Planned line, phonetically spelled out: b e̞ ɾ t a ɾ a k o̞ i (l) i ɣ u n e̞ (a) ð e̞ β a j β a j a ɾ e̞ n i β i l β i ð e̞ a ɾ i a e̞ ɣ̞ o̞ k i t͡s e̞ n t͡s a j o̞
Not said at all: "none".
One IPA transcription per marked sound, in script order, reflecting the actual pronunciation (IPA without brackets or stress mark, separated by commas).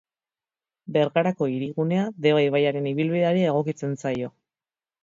ɾ, a